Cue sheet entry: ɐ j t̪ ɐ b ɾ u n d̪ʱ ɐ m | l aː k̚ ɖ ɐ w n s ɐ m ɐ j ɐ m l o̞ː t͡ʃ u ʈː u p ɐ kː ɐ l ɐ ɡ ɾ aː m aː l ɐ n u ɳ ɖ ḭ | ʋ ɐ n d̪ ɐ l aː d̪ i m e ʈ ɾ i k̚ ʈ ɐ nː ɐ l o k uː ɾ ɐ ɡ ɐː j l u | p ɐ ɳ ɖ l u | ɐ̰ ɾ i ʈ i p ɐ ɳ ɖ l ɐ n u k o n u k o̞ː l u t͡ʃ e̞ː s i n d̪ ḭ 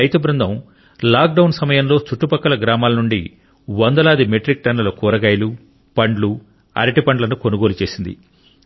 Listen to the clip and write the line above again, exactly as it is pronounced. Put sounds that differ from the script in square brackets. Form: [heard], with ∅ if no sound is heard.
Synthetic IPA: ɐ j t̪ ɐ b ɾ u n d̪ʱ ɐ m | l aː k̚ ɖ ɐ w n s ɐ m ɐ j ɐ m l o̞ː t͡ʃ u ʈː u p ɐ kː ɐ l ɐ ɡ ɾ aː m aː l ɐ n u ɳ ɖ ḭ | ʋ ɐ n d̪ ɐ l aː d̪ i m e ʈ ɾ i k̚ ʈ ɐ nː ɐ l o k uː ɾ ɐ ɡ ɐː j l u | p ɐ ɳ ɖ l u | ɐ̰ ɾ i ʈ i p ɐ ɳ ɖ l ɐ n u k o n u [ɡ] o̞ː l u t͡ʃ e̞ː s i n d̪ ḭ

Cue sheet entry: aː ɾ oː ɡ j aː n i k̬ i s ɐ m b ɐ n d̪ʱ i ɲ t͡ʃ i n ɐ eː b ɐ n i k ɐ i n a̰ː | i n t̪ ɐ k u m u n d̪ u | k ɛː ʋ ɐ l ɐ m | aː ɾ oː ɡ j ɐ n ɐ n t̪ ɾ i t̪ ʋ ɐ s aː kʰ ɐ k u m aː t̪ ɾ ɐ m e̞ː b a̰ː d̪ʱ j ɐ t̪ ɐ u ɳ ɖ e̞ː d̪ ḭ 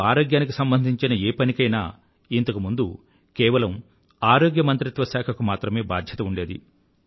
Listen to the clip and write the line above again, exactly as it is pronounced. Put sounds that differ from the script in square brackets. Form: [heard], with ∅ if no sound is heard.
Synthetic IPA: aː ɾ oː ɡ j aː n i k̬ i s ɐ m b ɐ n d̪ʱ i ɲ t͡ʃ i n ɐ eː [p] ɐ n i k ɐ [j] n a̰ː | i n t̪ ɐ k u m u n d̪ u | k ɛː ʋ ɐ l ɐ m | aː ɾ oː ɡ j ɐ [m] ɐ n t̪ ɾ i t̪ ʋ ɐ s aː kʰ ɐ k u m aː t̪ ɾ ɐ m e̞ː b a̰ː d̪ʱ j ɐ t̪ ɐ u ɳ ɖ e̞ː d̪ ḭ

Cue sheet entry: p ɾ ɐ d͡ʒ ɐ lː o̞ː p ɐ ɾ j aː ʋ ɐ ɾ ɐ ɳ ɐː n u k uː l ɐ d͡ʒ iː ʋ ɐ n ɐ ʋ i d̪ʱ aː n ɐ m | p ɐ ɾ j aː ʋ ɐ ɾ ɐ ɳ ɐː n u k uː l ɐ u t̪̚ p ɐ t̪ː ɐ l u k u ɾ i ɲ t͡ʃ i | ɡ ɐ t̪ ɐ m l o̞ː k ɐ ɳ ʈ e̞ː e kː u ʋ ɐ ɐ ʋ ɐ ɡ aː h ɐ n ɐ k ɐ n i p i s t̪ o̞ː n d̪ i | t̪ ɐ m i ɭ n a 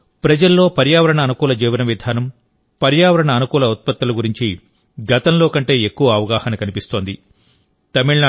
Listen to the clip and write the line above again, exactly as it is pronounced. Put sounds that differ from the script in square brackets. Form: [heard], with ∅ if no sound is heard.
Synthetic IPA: p ɾ ɐ d͡ʒ ɐ lː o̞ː p ɐ ɾ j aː ʋ ɐ ɾ ɐ ɳ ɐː n u k uː l ɐ d͡ʒ iː ʋ ɐ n ɐ ʋ i d̪ʱ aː n ɐ m | p ɐ ɾ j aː ʋ ɐ ɾ ɐ ɳ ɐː n u k uː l ɐ u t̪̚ p ɐ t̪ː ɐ l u [ɡ] u ɾ i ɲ t͡ʃ i | ɡ ɐ t̪ ɐ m l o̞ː k ɐ ɳ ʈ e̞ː e kː u ʋ ɐ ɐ ʋ ɐ ɡ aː h ɐ n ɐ k ɐ n i p i s t̪ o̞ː n d̪ i | t̪ ɐ m i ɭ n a

